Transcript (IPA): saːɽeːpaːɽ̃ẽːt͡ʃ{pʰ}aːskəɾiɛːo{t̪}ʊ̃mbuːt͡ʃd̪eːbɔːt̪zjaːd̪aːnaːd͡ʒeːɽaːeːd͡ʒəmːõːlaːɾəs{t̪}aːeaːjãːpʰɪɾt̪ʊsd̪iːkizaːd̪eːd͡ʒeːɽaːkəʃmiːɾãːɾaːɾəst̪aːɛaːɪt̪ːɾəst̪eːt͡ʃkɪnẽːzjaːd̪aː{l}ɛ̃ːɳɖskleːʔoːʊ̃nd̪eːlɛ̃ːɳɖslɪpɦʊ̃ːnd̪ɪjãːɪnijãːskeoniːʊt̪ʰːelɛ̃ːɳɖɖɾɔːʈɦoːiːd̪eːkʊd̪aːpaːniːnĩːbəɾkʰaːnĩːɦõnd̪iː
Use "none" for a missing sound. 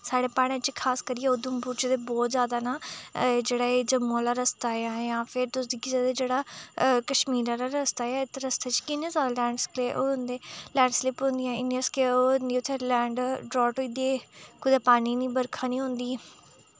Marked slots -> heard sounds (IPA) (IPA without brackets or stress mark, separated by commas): kʰ, d̪, t̪, l